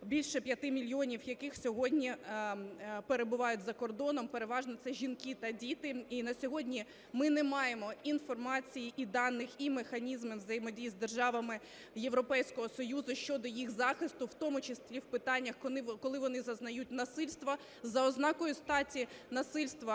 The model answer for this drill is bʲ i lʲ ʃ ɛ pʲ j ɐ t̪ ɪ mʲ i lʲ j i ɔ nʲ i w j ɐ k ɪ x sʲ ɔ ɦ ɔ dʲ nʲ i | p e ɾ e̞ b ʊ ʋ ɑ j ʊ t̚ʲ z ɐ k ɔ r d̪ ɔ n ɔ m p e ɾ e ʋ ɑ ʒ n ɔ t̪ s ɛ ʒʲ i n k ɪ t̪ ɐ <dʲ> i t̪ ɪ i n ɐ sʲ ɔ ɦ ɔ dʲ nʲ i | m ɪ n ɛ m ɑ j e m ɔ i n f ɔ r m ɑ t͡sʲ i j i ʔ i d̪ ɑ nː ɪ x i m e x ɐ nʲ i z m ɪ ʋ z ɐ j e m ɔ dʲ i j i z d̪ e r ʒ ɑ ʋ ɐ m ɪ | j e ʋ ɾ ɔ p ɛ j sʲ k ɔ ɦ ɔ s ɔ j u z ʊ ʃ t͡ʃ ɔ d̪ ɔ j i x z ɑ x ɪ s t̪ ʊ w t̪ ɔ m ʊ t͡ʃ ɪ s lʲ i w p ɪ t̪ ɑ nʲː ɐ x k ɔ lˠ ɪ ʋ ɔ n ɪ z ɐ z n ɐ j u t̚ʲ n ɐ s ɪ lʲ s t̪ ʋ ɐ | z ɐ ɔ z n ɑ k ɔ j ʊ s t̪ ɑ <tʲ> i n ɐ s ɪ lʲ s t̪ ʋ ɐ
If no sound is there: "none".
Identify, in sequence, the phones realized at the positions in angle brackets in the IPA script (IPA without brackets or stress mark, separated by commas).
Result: dʲ, tʲ